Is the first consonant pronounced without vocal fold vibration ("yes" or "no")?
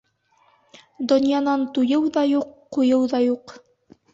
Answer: no